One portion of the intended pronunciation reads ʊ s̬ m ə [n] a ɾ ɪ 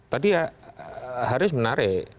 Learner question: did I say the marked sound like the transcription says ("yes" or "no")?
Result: yes